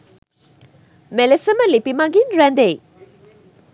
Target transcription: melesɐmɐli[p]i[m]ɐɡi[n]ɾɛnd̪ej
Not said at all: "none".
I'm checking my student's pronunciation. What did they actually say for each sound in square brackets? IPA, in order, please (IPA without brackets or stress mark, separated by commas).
p, m, n